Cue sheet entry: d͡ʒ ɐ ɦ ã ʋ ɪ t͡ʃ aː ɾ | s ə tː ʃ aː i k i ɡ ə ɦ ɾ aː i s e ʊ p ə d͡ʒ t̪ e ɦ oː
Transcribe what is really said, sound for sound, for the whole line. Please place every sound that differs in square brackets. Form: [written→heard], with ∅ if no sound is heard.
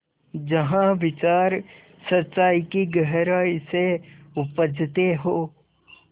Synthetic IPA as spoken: d͡ʒ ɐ ɦ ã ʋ ɪ t͡ʃ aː ɾ | s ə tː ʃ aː i k i ɡ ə ɦ ɾ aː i s e ʊ p ə d͡ʒ t̪ e ɦ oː